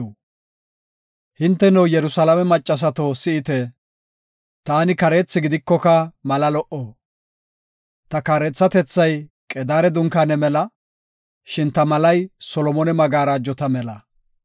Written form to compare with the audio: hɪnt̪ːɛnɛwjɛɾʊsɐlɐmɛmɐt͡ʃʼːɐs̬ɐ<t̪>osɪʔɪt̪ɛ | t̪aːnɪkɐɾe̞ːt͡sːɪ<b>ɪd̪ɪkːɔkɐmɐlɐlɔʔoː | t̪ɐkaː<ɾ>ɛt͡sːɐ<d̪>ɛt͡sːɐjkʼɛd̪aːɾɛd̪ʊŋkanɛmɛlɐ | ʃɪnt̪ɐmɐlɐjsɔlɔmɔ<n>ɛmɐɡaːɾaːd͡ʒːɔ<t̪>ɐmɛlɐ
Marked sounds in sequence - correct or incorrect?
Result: correct, incorrect: ɡ, correct, incorrect: t̪, correct, correct

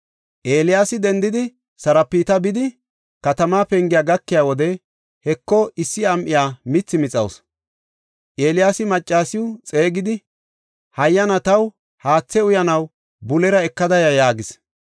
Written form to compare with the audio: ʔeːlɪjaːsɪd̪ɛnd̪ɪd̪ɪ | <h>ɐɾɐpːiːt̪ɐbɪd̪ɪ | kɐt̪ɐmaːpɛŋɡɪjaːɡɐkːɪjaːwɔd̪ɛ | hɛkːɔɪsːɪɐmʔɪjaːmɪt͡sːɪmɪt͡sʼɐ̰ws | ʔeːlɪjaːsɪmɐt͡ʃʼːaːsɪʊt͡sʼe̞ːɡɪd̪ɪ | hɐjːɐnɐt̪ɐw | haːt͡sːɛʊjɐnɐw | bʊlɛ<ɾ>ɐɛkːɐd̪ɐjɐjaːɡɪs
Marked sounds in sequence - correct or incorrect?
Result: incorrect: s, correct

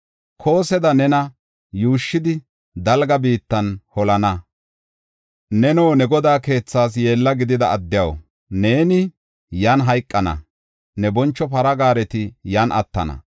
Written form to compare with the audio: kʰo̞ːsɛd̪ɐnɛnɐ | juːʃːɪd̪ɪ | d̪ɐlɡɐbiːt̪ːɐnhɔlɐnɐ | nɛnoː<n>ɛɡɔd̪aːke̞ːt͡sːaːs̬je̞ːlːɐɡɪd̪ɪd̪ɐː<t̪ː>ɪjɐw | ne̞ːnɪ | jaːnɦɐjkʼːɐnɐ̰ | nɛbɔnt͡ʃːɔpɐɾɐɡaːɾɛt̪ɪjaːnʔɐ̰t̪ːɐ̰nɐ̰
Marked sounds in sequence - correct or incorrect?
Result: correct, incorrect: d̪ː

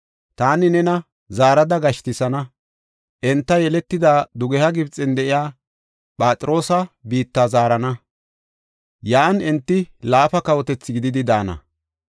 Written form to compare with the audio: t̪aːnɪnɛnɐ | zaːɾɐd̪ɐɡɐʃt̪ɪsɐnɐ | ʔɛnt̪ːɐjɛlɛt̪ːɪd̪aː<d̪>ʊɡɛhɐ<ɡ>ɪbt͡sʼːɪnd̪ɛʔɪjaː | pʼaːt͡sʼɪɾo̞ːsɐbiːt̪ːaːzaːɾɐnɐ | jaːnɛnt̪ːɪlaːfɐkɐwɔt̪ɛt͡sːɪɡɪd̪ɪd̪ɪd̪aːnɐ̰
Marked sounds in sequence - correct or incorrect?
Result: correct, correct

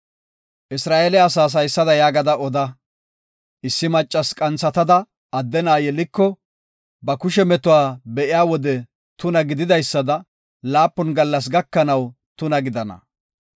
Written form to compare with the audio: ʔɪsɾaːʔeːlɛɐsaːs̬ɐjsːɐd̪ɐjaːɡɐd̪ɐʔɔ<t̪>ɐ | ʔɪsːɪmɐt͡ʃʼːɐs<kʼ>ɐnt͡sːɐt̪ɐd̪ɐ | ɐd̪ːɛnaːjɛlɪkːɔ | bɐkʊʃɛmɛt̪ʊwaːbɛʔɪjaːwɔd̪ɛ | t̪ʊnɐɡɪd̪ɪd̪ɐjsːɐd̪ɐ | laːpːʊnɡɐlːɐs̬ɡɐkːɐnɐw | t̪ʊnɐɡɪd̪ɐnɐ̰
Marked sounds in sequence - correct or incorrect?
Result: incorrect: d̪, correct

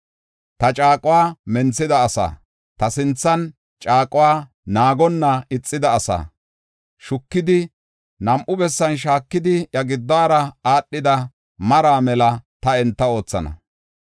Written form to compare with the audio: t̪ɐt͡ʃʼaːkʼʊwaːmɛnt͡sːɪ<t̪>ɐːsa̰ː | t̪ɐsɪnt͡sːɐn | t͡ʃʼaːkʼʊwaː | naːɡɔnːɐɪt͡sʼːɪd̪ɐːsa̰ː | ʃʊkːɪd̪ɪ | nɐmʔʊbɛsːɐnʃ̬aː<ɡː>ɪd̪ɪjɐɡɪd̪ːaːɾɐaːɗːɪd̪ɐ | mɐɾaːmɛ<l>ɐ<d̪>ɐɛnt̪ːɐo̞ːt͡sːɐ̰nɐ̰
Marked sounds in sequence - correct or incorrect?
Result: incorrect: d̪, incorrect: kː, correct, incorrect: t̪

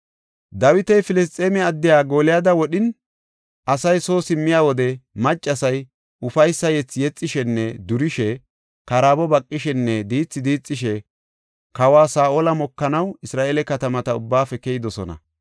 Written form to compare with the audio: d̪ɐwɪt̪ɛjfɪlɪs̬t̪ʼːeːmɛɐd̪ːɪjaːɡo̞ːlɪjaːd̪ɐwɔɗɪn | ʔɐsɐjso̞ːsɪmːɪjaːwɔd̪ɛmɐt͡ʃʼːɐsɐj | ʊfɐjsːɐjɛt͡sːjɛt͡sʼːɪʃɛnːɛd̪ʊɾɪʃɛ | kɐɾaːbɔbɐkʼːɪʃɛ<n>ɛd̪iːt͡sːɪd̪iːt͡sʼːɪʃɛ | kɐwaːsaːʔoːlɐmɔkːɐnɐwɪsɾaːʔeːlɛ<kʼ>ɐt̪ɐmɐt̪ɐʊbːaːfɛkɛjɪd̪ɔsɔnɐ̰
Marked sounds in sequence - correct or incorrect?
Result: incorrect: nː, incorrect: k

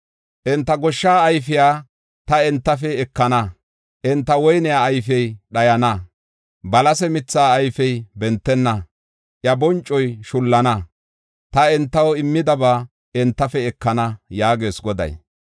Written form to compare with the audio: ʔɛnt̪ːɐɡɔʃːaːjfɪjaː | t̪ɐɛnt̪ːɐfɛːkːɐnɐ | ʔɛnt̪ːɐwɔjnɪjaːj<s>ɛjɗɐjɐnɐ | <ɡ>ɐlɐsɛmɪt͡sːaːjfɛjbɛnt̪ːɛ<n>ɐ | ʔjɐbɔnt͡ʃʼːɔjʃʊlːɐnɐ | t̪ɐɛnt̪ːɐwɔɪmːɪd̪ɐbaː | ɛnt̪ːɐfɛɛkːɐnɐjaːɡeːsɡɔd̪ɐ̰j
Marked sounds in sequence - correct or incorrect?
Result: incorrect: f, incorrect: b, incorrect: nː

